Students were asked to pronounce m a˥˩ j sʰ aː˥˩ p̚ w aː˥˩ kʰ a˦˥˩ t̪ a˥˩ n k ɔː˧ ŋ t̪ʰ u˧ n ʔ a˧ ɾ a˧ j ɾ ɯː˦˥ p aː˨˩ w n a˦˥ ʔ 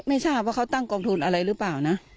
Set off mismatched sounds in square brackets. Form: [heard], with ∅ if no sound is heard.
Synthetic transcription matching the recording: m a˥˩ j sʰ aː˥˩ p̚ w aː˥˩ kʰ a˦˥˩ t̪ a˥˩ [ŋ] k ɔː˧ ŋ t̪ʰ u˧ n ʔ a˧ ɾ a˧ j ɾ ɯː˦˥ p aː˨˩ w n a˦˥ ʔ